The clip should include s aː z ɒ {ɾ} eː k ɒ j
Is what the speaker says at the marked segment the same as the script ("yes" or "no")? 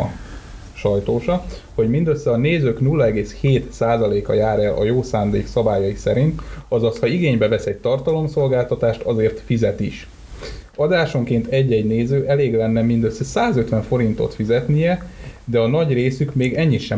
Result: no